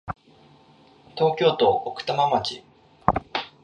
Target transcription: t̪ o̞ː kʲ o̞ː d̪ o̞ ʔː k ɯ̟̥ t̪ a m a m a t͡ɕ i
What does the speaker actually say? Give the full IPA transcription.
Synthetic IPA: t̪ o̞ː kʲ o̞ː t̪ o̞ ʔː k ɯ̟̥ t̪ a m a m a t͡ɕ i